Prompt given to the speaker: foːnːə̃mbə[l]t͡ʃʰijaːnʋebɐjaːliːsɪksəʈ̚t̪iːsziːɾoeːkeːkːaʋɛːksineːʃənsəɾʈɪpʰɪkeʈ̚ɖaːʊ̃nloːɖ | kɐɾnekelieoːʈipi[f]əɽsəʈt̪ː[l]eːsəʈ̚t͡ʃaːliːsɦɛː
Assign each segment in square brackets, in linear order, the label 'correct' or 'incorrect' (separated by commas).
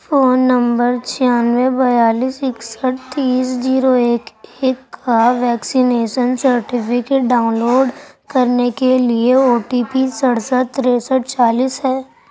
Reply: incorrect, incorrect, incorrect